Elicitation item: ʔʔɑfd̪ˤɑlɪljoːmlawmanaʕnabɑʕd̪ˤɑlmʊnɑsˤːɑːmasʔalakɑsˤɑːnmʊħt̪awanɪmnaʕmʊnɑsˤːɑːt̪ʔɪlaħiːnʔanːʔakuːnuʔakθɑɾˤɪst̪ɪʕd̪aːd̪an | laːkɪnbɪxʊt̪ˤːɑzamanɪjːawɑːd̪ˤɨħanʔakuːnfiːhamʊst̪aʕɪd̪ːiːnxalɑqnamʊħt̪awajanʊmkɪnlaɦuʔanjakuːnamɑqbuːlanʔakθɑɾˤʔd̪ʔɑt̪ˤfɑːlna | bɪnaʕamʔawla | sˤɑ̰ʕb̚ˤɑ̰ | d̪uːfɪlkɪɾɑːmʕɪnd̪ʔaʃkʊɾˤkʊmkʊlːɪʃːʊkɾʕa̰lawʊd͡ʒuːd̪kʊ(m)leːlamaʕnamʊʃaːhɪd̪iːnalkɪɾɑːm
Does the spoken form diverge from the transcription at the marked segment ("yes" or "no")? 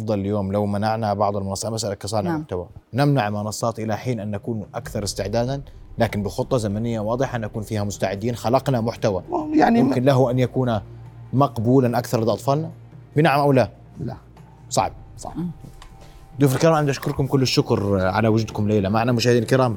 no